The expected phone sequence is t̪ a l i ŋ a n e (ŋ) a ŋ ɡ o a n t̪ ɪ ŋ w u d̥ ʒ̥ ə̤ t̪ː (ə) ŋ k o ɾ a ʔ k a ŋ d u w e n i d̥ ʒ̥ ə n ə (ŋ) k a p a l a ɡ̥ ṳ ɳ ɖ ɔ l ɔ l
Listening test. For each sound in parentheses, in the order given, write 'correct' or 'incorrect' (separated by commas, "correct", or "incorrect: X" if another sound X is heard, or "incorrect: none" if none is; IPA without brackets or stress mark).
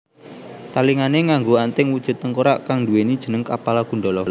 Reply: correct, correct, correct